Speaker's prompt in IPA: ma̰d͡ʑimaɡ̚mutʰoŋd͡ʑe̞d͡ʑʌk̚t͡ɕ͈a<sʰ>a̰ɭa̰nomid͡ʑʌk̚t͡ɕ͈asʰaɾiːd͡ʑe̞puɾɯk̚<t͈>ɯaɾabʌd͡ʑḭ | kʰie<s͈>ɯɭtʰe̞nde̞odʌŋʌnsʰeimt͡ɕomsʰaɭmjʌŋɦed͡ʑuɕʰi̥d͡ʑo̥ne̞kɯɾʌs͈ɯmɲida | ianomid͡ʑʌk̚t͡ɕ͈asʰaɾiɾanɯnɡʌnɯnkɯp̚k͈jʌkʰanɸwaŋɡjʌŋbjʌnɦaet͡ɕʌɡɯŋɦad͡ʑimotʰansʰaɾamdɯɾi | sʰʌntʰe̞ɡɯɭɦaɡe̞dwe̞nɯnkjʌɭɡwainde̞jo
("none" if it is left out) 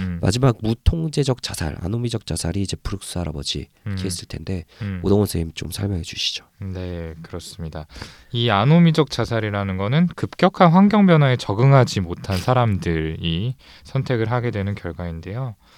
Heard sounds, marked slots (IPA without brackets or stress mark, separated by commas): sʰ, s͈, s͈